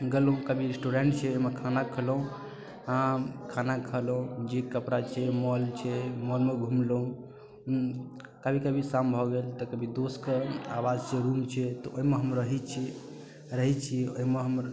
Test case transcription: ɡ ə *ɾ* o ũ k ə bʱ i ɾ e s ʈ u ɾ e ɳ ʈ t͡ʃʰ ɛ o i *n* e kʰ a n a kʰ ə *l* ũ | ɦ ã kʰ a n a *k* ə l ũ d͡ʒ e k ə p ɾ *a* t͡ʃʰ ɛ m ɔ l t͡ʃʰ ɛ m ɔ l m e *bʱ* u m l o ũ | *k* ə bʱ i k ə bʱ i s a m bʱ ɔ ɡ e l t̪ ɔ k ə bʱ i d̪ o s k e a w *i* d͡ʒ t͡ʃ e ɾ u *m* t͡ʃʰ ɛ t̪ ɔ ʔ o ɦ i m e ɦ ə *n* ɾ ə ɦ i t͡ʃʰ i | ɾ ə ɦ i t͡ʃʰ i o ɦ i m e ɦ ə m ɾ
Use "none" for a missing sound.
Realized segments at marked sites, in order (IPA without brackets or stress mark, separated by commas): l, m, l, kʰ, a, ɡʱ, k, a, m, m